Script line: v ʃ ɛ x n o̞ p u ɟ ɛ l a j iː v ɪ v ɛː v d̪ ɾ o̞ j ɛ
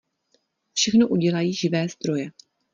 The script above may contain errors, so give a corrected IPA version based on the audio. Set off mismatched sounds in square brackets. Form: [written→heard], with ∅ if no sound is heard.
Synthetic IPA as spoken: [v→f] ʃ ɛ x n o̞ [p→ʔ] u ɟ ɛ l a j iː [v→ʒ] ɪ v ɛː [v→z] d̪ ɾ o̞ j ɛ